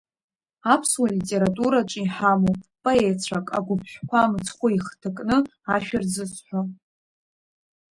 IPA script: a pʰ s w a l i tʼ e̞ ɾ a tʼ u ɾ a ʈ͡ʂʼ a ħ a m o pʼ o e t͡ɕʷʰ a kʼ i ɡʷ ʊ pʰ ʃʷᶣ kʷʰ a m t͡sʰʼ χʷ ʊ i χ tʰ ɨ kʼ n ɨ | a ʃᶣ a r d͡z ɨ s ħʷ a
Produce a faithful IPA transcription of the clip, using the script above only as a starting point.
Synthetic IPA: a pʰ s w a l i tʼ e̞ ɾ a tʼ u ɾ a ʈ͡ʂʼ i ħ a m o pʼ o e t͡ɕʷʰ a kʼ a ɡʷ ʊ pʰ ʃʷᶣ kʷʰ a m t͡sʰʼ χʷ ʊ i χ tʰ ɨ kʼ n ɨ | a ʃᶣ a r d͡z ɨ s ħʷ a